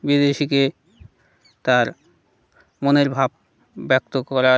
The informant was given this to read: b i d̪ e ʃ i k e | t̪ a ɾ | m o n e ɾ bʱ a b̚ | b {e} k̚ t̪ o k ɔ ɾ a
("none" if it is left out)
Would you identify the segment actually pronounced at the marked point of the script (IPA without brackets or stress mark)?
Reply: ɛ